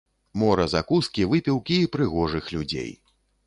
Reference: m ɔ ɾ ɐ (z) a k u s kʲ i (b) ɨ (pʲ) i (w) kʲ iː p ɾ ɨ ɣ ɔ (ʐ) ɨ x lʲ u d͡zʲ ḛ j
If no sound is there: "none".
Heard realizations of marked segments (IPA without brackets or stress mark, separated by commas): z, v, pʲ, w, ʐ